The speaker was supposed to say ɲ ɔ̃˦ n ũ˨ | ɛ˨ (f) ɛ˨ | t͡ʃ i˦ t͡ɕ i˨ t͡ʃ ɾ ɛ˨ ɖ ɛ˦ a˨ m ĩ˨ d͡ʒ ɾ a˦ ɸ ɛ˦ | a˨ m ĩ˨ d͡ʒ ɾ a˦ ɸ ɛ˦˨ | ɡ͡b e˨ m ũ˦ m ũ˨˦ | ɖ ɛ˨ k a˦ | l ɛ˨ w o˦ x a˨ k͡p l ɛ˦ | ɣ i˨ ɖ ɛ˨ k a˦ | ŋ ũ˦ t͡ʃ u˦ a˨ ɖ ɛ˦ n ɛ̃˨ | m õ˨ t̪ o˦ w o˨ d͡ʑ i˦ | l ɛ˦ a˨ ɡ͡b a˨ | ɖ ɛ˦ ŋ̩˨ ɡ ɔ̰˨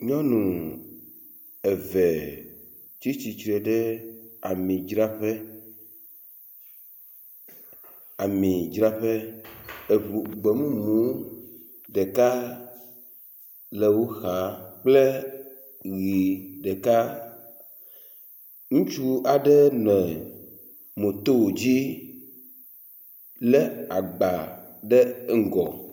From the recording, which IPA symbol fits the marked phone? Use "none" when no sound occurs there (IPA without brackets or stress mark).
v